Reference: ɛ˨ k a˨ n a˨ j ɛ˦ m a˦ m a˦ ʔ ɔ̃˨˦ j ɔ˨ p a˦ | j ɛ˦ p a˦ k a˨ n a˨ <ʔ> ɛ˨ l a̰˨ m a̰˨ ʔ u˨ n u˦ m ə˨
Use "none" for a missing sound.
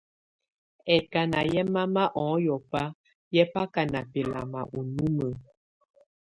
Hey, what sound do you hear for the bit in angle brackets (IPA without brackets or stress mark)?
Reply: p